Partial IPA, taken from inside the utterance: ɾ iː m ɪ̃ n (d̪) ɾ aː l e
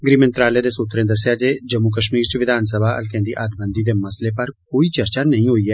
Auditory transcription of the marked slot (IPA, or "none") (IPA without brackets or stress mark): t̪